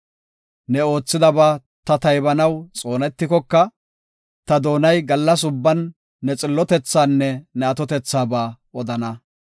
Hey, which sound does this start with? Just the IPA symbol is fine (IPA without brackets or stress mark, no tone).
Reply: n